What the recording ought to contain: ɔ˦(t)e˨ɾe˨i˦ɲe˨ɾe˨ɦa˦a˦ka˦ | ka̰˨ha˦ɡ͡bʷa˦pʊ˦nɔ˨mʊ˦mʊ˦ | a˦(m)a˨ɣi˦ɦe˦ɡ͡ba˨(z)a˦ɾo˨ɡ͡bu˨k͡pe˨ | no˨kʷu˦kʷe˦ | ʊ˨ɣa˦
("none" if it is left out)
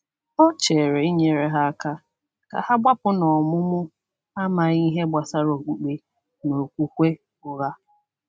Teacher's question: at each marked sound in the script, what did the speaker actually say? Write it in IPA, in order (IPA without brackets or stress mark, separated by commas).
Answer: t͡ʃ, m, s